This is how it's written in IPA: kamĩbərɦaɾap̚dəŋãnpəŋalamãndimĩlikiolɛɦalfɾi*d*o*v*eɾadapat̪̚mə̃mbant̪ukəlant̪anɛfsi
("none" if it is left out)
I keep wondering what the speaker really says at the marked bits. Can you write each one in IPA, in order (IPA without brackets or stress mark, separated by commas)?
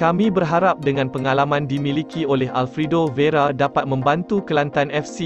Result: d, v